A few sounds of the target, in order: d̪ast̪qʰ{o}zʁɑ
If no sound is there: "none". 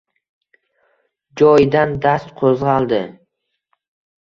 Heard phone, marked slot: o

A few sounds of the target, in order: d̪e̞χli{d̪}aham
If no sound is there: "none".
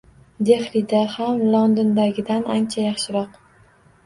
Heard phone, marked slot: d̪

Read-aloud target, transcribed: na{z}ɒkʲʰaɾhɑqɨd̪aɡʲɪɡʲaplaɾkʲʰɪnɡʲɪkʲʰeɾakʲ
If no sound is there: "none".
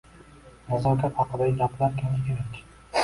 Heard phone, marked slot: z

